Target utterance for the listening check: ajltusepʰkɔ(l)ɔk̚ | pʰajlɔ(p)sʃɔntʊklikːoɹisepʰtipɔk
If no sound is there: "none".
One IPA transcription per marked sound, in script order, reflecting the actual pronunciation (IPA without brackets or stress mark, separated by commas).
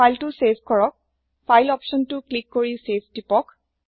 ɹ, p